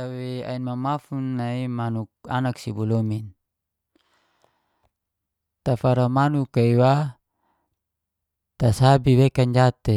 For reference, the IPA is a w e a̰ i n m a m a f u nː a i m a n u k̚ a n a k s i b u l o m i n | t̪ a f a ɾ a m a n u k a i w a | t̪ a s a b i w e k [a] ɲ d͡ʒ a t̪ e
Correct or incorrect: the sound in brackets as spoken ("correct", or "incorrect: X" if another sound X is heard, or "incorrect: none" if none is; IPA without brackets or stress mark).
correct